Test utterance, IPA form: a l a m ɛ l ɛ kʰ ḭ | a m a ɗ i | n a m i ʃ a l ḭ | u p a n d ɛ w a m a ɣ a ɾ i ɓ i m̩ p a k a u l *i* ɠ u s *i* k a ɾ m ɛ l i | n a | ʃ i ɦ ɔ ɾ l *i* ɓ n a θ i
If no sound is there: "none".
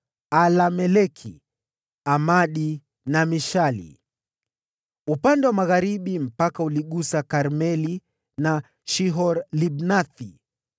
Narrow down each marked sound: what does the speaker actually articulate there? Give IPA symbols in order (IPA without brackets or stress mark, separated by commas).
i, a, i